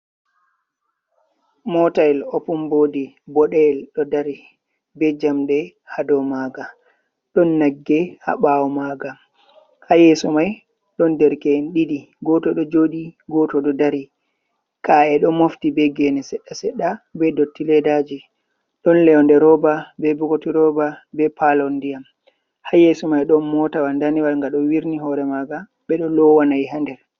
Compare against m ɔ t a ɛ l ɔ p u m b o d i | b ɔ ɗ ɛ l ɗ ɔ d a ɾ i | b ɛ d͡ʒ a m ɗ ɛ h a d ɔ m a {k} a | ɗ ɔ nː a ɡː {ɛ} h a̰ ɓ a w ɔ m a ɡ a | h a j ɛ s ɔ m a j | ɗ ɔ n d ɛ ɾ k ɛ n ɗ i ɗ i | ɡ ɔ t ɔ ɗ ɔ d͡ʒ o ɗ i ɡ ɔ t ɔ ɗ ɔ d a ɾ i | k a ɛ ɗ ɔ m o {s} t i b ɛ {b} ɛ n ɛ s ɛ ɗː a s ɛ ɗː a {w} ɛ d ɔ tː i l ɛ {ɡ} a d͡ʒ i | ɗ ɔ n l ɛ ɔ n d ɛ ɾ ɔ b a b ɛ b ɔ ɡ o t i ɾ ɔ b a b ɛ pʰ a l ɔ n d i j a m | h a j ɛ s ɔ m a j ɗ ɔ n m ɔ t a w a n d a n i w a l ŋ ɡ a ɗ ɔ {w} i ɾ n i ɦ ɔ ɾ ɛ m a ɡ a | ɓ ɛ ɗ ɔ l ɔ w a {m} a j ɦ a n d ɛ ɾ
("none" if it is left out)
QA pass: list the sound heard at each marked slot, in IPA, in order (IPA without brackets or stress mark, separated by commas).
ɡ, ɛ, f, ɡ, b, d, w, n